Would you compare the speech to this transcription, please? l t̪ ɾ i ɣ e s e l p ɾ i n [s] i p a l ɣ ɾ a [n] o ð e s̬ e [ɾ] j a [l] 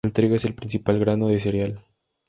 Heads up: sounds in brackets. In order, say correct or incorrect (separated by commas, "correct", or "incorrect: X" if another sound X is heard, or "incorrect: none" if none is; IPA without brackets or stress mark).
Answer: correct, correct, correct, correct